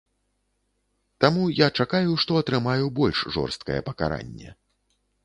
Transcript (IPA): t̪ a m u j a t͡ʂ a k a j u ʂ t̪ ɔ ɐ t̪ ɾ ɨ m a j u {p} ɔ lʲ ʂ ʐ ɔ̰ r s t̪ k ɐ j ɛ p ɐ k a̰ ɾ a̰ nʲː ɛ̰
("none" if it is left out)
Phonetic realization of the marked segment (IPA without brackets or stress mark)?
b